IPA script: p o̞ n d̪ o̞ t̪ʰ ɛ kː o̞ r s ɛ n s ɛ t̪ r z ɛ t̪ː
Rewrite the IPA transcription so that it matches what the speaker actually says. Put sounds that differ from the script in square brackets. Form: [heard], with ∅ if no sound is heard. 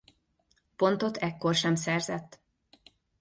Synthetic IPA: p o̞ n [t̪] o̞ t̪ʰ ɛ kː o̞ r [ʃ] ɛ [m] s ɛ [∅] r z ɛ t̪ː